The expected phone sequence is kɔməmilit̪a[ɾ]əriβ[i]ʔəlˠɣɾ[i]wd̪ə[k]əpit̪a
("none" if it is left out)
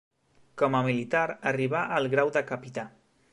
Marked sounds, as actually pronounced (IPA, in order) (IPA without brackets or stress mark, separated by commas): ɾ, a, a, k